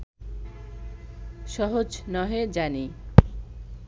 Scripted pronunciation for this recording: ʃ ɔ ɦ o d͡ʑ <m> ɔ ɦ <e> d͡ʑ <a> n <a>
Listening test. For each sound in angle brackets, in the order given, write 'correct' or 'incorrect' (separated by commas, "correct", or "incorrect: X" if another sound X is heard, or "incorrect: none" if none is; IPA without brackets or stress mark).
incorrect: n, correct, correct, incorrect: i